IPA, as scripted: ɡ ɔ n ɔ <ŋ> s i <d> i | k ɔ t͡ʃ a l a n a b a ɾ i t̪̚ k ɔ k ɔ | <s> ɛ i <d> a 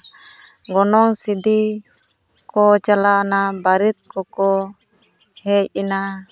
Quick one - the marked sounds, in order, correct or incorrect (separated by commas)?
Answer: correct, correct, incorrect, incorrect